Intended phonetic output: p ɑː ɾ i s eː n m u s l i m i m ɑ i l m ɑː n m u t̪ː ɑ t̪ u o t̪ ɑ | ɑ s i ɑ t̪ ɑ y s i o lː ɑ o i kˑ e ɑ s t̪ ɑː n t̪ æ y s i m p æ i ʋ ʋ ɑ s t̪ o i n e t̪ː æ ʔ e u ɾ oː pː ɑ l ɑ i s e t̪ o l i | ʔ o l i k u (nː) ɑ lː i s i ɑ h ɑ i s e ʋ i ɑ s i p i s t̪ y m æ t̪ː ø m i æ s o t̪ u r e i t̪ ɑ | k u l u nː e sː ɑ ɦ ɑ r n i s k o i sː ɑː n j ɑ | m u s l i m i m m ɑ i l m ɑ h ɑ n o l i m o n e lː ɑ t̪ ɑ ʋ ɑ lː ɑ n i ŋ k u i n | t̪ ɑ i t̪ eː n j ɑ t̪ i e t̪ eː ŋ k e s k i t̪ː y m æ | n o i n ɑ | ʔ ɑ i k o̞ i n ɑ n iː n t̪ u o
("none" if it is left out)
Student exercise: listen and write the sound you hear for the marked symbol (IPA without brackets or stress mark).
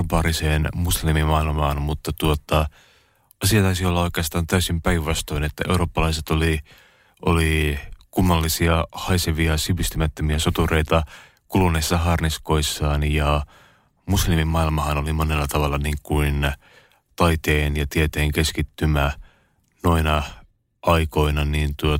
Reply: mː